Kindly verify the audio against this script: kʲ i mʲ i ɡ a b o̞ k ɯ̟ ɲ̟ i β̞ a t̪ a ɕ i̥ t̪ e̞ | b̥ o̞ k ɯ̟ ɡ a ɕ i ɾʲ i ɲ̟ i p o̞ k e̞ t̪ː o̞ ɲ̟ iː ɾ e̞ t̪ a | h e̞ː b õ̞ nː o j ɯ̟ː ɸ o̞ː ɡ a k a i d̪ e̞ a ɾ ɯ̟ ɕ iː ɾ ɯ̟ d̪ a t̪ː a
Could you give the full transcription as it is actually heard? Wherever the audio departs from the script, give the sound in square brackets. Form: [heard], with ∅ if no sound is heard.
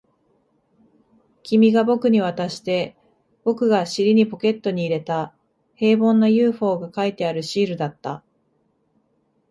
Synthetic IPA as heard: kʲ i mʲ i ɡ a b o̞ k ɯ̟ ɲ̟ i β̞ a t̪ a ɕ i̥ t̪ e̞ | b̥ o̞ k ɯ̟ ɡ a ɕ i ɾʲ i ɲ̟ i p o̞ k e̞ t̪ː o̞ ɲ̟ iː ɾ e̞ t̪ a | h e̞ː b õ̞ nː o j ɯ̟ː ɸ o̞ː ɡ a k a i [t̪] e̞ a ɾ ɯ̟ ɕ iː ɾ ɯ̟ d̪ a t̪ː a